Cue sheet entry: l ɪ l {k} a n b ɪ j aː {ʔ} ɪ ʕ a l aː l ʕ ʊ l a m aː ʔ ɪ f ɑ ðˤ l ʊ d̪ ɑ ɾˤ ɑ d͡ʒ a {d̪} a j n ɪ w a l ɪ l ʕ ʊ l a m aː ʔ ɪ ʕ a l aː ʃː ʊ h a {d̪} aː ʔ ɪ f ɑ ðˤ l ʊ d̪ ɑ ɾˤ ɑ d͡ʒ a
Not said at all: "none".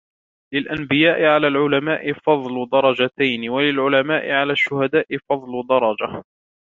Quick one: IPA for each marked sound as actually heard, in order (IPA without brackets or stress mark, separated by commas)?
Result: ʔ, ʔ, t̪, d̪